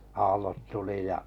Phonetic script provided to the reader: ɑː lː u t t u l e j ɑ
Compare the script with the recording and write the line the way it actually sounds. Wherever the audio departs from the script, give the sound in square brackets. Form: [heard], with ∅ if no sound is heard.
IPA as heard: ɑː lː [o] t t u l [i] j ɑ